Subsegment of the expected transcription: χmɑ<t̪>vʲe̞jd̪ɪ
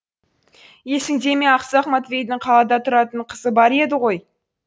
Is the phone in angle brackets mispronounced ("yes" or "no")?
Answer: no